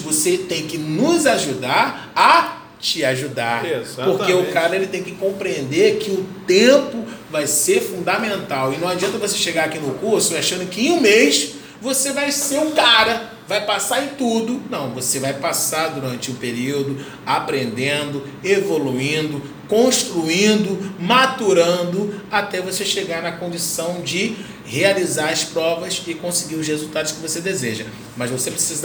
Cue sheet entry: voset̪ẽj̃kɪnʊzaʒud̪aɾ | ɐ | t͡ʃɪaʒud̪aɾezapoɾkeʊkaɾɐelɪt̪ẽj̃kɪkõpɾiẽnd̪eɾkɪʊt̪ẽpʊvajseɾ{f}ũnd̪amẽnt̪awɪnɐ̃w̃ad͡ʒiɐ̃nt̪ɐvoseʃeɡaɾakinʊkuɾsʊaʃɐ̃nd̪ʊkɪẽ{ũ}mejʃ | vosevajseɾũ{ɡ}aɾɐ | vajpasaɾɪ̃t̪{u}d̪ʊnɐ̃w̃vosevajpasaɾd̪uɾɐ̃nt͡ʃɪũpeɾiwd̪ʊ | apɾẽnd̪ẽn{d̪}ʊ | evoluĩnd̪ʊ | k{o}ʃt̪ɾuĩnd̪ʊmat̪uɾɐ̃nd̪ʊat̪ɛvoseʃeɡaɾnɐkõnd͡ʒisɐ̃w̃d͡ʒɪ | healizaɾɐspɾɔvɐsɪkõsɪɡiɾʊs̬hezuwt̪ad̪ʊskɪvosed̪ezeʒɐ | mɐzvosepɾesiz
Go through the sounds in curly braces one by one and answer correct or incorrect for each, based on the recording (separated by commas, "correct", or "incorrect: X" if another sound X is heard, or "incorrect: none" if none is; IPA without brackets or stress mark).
correct, correct, incorrect: k, correct, correct, incorrect: õ